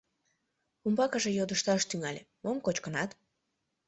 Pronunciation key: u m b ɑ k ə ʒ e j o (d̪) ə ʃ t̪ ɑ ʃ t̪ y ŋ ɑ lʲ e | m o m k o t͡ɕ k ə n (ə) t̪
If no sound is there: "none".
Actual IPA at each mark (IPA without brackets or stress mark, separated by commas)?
d̪, ɑ